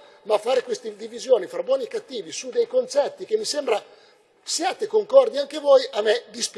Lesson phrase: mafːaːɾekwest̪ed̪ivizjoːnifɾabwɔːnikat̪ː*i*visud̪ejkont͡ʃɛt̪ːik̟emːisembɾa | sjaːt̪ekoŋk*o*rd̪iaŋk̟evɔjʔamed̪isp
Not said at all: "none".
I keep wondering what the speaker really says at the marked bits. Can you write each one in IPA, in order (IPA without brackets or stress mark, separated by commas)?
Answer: iː, ɔ